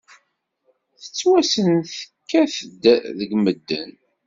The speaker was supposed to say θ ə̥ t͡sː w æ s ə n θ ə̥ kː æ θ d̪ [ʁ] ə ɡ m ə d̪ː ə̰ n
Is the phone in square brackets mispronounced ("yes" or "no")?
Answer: yes